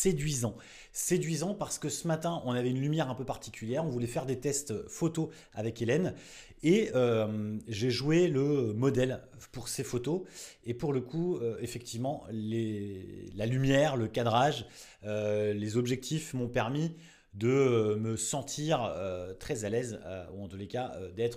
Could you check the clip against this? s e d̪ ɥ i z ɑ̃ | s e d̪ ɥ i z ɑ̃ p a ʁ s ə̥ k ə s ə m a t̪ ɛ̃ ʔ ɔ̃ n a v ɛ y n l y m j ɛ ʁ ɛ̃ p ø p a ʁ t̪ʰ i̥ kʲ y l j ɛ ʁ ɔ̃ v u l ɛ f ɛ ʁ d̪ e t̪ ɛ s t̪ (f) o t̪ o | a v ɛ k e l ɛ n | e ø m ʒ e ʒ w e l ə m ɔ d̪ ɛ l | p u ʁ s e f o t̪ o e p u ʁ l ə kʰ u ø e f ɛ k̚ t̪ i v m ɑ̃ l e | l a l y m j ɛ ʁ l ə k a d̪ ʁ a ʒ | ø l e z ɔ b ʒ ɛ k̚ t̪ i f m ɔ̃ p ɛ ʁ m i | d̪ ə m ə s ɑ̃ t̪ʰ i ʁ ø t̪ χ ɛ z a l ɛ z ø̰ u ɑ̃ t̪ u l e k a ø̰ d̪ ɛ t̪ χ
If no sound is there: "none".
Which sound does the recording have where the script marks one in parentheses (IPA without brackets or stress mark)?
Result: f